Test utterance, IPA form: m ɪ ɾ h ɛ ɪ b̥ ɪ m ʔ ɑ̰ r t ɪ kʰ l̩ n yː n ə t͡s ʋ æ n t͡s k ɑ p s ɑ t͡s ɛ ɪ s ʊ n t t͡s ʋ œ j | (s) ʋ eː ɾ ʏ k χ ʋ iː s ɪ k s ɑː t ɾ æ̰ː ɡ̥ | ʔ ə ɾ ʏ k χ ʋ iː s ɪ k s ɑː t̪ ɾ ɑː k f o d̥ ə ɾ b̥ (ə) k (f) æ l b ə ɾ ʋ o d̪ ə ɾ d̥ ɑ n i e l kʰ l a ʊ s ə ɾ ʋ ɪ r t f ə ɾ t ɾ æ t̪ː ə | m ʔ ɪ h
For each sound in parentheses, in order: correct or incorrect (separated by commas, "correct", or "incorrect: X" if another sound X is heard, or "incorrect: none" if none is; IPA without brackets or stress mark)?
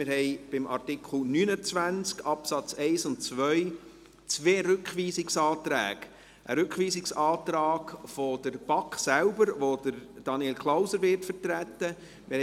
incorrect: t͡s, incorrect: ɑ, incorrect: s